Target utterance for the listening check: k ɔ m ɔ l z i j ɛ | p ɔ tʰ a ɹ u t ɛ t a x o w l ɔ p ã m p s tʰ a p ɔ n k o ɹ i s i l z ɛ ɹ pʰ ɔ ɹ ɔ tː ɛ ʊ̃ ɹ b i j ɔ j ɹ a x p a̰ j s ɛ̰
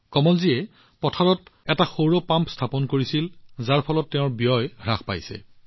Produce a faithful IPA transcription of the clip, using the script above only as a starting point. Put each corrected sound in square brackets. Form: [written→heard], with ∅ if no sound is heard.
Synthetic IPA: k ɔ m ɔ l z i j ɛ | p ɔ tʰ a ɹ [u→ɔ] t ɛ t a x o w [l→ɹ] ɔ p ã m p s tʰ a p ɔ n k o ɹ i s i l z [ɛ→a] ɹ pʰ ɔ [ɹ→l] ɔ tː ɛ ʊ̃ ɹ b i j ɔ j ɹ a x p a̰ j s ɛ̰